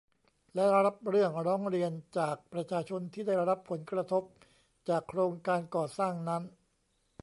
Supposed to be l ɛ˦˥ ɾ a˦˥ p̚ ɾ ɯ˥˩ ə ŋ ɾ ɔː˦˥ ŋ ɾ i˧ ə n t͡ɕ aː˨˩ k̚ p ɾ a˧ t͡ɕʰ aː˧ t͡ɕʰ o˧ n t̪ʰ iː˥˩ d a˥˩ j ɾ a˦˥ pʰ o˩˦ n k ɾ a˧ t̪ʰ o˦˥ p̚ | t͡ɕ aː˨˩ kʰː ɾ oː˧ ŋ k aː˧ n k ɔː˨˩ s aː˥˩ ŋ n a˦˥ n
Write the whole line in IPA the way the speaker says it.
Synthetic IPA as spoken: l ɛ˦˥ ɾ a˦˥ p̚ ɾ ɯ˥˩ ə ŋ ɾ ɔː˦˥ ŋ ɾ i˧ ə n t͡ɕ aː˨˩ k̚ p ɾ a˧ t͡ɕʰ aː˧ t͡ɕʰ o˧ n t̪ʰ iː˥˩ d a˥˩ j ɾ a˦˥ pʰ o˩˦ n k ɾ a˧ t̪ʰ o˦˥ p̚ | t͡ɕ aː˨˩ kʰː ɾ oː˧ ŋ k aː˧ n k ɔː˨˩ s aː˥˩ ŋ n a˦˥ n